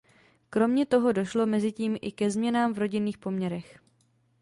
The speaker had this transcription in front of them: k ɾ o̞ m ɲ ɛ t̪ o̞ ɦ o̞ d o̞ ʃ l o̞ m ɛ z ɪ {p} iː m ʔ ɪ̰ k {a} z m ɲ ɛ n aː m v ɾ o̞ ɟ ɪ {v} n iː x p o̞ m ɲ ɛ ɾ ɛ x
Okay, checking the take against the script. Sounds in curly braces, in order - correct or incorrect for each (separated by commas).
incorrect, incorrect, incorrect